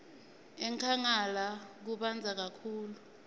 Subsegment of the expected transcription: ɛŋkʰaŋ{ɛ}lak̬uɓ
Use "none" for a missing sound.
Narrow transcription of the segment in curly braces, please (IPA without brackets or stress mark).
a